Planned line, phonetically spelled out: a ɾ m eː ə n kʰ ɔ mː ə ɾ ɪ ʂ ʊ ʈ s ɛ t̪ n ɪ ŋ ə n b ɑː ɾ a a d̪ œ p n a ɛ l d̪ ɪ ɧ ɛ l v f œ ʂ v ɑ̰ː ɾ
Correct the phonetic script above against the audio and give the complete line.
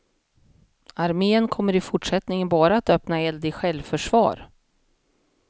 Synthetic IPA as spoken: a ɾ m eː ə n kʰ ɔ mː ə ɾ ɪ f ʊ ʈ ʂ ɛ t̪ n ɪ ŋ ə n b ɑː ɾ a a t̪ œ p n a ɛ l d̪ ɪ ɧ ɛ l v f œ ʂ v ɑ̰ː ɾ